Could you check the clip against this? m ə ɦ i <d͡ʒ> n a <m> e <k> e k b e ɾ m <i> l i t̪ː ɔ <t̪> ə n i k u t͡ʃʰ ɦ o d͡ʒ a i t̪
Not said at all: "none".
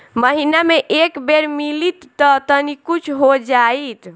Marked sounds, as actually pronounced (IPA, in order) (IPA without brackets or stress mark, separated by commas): none, m, ʔ, i, t̪